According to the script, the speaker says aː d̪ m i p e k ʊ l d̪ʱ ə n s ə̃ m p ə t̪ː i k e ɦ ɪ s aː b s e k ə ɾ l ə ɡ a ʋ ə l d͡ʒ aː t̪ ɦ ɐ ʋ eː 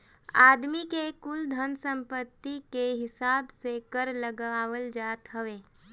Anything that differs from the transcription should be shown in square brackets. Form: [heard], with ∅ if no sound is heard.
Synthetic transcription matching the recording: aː d̪ m i [k] e k ʊ l d̪ʱ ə n s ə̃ m p ə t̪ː i k e ɦ ɪ s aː b s e k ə ɾ l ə ɡ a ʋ ə l d͡ʒ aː t̪ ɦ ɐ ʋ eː